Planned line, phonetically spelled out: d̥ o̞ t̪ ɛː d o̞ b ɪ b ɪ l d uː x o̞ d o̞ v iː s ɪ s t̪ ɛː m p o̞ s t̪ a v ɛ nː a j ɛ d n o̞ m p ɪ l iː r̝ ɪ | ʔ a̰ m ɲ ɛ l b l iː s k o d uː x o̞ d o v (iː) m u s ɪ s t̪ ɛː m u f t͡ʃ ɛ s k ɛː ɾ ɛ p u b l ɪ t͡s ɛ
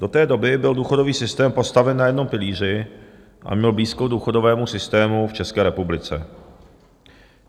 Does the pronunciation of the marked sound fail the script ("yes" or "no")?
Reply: yes